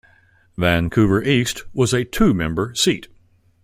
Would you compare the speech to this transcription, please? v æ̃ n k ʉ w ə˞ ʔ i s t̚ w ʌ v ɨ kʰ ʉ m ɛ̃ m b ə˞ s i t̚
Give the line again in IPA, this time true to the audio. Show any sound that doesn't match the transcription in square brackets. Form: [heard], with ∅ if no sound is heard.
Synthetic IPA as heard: v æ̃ n [kʰ] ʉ [v] ə˞ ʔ i s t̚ w ʌ [z] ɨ [tʰ] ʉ m ɛ̃ m b ə˞ s i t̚